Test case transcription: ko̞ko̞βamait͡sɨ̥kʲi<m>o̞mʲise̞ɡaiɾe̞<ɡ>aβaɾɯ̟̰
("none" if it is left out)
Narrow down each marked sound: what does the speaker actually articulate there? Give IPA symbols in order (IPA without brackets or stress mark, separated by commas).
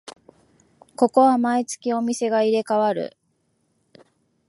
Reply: none, k